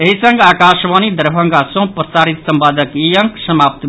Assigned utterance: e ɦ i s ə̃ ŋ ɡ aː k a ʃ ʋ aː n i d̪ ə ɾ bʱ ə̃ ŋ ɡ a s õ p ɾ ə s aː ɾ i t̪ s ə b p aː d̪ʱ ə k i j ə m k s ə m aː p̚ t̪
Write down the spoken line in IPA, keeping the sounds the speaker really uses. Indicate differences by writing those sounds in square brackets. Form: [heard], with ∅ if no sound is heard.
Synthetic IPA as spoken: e ɦ i s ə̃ ŋ ɡ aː k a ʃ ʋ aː n i d̪ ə ɾ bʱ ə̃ ŋ ɡ a s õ p ɾ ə s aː ɾ i t̪ s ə [m] p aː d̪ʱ ə k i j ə [ŋ] k s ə m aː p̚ t̪